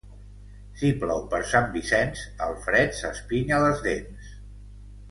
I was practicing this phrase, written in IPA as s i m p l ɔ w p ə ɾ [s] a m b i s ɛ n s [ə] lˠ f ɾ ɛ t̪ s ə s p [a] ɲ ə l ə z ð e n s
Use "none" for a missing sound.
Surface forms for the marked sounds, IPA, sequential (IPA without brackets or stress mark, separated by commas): s, ə, i